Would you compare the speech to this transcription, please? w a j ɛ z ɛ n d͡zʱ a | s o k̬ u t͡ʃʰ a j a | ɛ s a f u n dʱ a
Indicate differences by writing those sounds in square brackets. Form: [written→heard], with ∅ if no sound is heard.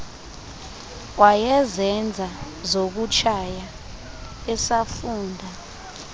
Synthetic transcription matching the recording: w a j ɛ z ɛ n d͡zʱ a | [s→z] o k̬ u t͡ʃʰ a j a | ɛ s a f [u→uː] n dʱ a